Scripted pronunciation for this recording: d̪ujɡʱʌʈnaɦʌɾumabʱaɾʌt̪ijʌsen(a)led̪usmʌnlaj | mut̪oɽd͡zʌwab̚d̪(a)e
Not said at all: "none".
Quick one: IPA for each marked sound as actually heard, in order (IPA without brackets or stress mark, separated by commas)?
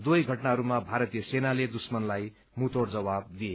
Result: a, i